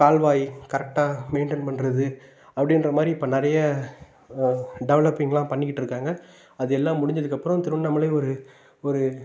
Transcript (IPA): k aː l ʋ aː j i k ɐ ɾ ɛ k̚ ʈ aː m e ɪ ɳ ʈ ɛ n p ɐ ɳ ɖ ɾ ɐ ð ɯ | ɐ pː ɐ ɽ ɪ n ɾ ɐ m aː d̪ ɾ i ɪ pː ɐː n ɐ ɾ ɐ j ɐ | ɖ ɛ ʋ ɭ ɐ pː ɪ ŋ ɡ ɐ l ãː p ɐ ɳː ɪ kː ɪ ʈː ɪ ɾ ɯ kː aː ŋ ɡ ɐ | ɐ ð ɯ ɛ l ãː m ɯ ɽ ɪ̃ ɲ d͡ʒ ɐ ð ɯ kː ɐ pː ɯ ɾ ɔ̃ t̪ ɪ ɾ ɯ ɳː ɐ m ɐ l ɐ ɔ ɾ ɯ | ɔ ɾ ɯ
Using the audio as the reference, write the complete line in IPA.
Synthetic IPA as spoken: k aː l ʋ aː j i k ɐ ɾ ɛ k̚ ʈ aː m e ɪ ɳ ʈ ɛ n p ɐ ɳ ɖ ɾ ɐ ð ɯ | ɐ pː ɐ ɽ ɪ n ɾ ɐ m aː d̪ ɾ i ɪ pː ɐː n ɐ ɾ ɐ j ɐ | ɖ ɛ ʋ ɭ ɐ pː ɪ ŋ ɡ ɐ l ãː p ɐ ɳː ɪ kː ɪ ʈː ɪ ɾ ɯ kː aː ŋ ɡ ɐ | ɐ ð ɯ ɛ lː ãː m ʊ ɽ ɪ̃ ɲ d͡ʒ ɐ ð ɯ kː ɐ pː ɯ ɾ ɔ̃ t̪ ɪ ɾ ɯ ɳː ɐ m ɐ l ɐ ɔ ɾ ɯ | ɔ ɾ ɯ